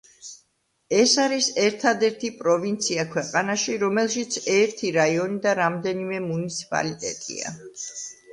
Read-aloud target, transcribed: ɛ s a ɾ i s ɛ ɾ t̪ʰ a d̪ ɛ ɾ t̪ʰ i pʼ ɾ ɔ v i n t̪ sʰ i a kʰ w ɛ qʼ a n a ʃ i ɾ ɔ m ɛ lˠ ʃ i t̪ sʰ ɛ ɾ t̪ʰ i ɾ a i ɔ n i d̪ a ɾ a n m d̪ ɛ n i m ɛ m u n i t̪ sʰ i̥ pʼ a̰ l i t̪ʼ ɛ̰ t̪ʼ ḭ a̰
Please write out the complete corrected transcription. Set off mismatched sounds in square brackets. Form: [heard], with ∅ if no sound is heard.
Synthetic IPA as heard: ɛ s a ɾ i s ɛ ɾ t̪ʰ a d̪ ɛ ɾ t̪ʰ i pʼ ɾ ɔ v i n t̪ sʰ i a kʰ w ɛ qʼ a n a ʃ i ɾ ɔ m ɛ lˠ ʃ i t̪ sʰ ɛ ɾ t̪ʰ i ɾ a i ɔ n i d̪ a ɾ a [∅] m d̪ ɛ n i m ɛ m u n i t̪ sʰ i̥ pʼ a̰ l i t̪ʼ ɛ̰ t̪ʼ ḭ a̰